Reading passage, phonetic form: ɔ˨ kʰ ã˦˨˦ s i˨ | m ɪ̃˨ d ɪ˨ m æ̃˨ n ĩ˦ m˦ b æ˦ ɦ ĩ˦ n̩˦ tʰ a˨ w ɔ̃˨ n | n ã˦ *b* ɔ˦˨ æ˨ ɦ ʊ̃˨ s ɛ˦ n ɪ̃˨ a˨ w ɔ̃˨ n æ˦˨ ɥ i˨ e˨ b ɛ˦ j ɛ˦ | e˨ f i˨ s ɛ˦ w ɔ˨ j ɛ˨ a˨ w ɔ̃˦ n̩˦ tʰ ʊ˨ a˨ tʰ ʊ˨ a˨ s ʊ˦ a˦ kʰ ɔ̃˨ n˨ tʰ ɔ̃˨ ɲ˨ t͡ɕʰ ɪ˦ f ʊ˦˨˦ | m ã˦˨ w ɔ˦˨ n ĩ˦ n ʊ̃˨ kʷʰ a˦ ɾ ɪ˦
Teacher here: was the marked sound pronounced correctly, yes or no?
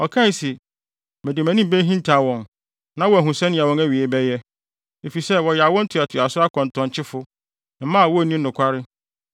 no